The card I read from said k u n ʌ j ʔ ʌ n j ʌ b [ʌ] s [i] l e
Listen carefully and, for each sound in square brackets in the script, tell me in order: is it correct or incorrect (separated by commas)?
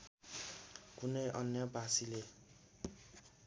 incorrect, correct